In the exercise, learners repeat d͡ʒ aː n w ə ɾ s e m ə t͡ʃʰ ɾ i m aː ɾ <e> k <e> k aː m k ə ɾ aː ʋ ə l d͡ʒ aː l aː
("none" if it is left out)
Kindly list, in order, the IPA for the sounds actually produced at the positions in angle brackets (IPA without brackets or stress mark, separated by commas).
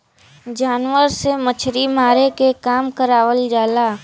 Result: e, e